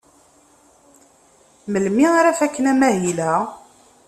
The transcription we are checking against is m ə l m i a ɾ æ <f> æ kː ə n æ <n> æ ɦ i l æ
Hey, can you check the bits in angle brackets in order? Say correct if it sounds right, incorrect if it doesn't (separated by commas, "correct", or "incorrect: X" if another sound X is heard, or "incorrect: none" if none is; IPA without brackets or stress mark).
correct, incorrect: m